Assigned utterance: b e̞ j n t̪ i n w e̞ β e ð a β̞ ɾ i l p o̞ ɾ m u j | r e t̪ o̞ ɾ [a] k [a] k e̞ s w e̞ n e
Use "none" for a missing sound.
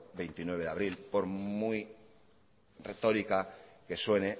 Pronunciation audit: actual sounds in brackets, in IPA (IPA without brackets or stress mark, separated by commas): i, a